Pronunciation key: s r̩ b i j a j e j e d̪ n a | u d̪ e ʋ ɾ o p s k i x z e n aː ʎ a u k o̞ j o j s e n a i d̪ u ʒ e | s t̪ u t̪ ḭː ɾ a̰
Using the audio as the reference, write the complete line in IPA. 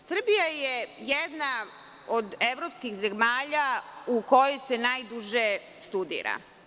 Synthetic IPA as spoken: s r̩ b i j a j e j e d̪ n a | o d̪ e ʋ ɾ o p s k i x z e m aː ʎ a u k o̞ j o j s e n a j d̪ u ʒ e | s t̪ u d̪ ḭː ɾ a̰